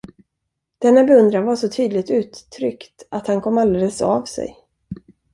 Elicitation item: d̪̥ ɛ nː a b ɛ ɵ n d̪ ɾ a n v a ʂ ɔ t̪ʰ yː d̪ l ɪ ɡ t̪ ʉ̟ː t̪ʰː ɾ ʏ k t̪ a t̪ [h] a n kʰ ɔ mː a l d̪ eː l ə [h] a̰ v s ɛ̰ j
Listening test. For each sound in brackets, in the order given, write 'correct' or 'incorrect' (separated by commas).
correct, incorrect